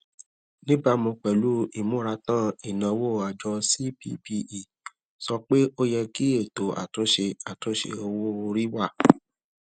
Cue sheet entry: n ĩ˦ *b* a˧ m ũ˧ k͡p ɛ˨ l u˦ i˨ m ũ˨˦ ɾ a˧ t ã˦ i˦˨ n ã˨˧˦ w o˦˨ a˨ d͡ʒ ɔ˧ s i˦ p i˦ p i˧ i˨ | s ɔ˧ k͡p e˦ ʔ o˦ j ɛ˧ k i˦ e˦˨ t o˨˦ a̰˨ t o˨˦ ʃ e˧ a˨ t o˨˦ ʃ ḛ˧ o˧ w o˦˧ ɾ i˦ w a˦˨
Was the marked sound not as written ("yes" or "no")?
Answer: no